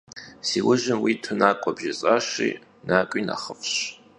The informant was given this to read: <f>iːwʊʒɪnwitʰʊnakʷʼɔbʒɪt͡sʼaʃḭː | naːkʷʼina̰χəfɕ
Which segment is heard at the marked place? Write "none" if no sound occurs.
s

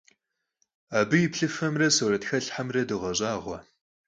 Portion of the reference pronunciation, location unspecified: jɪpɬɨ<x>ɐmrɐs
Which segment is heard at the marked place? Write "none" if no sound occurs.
f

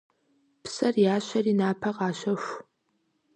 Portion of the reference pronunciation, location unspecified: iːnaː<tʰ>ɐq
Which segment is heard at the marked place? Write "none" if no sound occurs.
pʰ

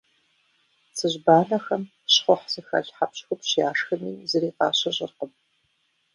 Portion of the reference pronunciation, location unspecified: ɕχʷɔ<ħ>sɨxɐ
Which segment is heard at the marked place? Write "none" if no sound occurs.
ħ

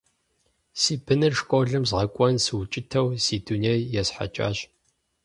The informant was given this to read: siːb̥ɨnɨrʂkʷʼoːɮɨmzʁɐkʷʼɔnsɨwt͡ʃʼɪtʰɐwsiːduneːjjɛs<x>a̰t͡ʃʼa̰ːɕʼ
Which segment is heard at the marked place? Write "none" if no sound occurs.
ħ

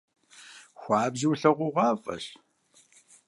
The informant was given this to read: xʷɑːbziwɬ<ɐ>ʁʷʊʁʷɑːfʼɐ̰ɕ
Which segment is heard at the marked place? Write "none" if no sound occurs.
ɐ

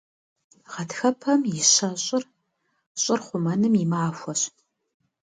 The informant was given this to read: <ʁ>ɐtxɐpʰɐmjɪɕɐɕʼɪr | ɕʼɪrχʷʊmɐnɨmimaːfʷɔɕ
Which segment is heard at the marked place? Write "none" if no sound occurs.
ʁ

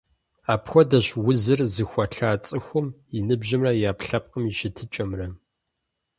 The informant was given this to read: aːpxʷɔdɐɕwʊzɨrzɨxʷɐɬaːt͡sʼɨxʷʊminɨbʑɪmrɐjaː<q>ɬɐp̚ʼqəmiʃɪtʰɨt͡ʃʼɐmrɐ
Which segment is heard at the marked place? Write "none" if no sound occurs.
p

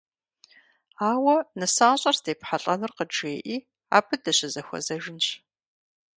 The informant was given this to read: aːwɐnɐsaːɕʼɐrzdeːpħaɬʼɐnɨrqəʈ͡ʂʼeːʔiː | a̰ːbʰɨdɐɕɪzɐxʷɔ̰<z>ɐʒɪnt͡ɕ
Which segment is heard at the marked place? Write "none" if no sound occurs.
z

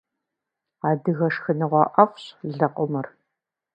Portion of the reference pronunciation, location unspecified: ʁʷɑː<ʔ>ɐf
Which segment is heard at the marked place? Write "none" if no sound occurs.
ʔ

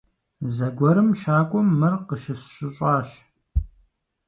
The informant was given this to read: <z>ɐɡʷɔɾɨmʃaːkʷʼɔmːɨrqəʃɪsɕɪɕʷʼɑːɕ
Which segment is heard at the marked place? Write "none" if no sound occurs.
z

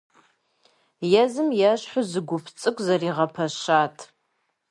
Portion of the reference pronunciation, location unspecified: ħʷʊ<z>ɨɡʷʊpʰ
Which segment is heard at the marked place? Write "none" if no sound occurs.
z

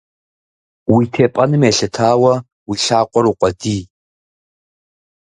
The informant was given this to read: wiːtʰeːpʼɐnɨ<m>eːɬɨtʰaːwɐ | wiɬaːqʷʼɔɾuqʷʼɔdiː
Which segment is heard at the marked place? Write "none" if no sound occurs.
m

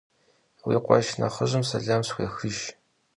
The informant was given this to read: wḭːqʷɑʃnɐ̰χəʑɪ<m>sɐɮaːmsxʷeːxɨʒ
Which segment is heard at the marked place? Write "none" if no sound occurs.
m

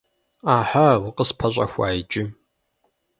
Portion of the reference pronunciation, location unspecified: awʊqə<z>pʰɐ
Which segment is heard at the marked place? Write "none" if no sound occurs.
s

